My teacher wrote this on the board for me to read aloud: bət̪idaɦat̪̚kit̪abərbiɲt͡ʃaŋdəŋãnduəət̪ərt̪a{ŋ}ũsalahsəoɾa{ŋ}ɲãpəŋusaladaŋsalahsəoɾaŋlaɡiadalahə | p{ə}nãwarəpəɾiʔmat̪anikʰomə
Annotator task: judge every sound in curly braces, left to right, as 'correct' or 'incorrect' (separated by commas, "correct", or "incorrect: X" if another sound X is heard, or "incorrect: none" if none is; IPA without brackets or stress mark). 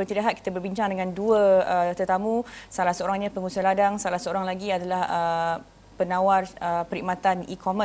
incorrect: m, correct, correct